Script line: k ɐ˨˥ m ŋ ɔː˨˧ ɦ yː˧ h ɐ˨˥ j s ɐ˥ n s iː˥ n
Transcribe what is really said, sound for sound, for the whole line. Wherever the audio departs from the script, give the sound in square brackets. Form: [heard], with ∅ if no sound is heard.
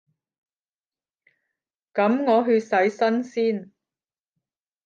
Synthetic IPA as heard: k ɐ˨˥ m ŋ ɔː˨˧ ɦ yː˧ [s] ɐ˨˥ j s ɐ˥ n s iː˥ n